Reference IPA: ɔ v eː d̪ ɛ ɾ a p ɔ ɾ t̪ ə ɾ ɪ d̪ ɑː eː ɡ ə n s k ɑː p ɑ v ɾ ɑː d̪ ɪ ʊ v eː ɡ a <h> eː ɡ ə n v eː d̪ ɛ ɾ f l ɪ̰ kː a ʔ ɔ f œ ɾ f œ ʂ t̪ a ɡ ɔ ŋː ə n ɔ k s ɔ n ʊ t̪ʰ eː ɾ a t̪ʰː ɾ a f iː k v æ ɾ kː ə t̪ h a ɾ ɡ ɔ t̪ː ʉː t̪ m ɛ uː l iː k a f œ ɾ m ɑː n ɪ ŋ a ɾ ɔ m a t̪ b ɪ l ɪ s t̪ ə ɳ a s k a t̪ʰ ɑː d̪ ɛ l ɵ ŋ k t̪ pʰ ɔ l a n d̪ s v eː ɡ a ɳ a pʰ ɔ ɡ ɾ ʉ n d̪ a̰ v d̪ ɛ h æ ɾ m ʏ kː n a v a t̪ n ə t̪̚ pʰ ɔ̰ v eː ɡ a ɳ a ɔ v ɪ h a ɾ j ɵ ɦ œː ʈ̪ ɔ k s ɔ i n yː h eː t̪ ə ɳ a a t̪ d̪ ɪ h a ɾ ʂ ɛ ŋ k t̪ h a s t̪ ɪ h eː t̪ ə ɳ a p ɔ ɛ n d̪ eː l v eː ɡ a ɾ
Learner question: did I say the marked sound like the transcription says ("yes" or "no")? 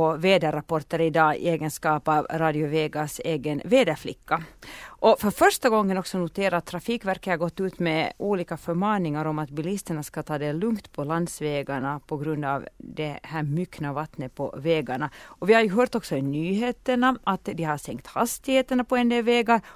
no